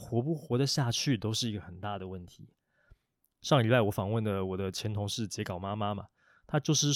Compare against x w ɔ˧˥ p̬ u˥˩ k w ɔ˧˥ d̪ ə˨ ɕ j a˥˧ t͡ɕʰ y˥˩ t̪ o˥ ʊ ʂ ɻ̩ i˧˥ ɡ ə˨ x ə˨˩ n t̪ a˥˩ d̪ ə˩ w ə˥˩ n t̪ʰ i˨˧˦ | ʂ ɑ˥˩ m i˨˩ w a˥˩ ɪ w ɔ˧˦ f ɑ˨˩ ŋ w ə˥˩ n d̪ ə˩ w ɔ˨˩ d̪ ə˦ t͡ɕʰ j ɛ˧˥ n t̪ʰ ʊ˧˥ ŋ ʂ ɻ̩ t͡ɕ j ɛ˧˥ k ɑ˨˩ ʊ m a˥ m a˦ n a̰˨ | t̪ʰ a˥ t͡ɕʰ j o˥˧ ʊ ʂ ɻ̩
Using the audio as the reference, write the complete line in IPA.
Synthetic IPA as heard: x w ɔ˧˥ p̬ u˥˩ x w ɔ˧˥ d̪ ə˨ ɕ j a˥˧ t͡ɕʰ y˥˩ t̪ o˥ ʊ ʂ ɻ̩ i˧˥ ɡ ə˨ x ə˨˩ n t̪ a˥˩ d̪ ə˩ w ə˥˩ n t̪ʰ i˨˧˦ | ʂ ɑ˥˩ ŋ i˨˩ w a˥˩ ɪ w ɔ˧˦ f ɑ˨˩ ŋ w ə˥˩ n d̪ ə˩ w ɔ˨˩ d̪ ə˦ t͡ɕʰ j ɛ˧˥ n t̪ʰ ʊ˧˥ ŋ ʂ ɻ̩ t͡ɕ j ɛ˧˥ k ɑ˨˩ ʊ m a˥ m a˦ m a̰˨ | t̪ʰ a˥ t͡ɕ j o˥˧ ʊ ʂ ɻ̩